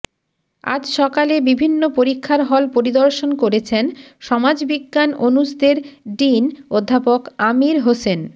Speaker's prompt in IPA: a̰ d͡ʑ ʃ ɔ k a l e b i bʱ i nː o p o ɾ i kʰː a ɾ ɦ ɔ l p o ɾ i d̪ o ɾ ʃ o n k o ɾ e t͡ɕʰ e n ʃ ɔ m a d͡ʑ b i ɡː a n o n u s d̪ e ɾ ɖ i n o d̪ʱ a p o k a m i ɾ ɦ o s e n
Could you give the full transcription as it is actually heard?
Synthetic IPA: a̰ d͡ʑ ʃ ɔ k a l e b i bʱ i nː o p o ɾ i kʰː a ɾ ɦ ɔ l p o ɾ i d̪ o ɾ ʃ o n k o ɾ e t͡ɕʰ e n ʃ ɔ m a d͡ʑ b i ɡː a n o n u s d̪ e ɾ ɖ i n o d̪ʱː a p o k a m i ɾ ɦ o s e n